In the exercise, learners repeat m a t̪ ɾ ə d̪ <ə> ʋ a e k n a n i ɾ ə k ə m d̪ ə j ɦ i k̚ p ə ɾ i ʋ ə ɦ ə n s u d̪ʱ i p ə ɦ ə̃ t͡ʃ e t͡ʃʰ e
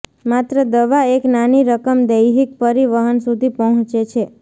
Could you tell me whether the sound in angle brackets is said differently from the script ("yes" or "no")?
no